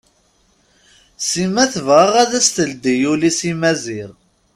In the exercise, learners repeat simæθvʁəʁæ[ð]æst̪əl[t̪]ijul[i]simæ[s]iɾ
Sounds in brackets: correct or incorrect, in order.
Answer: correct, incorrect, correct, incorrect

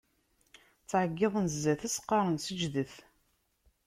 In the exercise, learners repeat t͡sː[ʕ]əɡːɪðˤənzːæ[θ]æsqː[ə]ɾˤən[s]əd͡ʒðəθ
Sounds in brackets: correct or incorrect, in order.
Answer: correct, correct, incorrect, correct

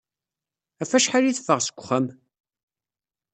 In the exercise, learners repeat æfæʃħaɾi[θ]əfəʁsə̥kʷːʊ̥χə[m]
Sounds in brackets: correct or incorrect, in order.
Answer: correct, correct

